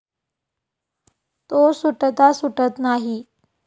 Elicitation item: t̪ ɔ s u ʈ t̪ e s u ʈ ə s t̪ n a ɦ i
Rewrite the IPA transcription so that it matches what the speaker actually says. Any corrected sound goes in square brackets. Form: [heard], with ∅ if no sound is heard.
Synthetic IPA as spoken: t̪ [o] s u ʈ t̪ [a] s u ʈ ə [∅] t̪ n a ɦ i